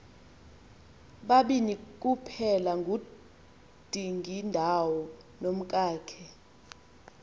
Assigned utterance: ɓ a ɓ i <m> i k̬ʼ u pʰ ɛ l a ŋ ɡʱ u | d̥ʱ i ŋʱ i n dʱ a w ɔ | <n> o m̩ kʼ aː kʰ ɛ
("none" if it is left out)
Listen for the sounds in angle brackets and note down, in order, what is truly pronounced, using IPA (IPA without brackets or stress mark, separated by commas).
n, n